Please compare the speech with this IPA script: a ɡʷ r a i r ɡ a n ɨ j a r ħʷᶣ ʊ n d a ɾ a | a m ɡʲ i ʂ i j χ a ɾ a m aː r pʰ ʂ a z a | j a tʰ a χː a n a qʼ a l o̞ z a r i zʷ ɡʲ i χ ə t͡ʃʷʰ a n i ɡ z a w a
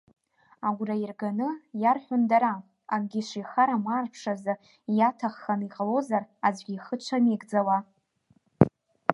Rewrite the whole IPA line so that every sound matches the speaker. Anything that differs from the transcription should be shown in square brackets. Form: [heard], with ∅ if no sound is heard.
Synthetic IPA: a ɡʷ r a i r ɡ a n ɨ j a r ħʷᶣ ʊ n d a ɾ a | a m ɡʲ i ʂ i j χ a ɾ a m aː r pʰ ʂ a z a | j a tʰ a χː a n [i] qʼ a l o̞ z a r [a] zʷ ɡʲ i χ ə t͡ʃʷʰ a n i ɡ [d͡z] a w a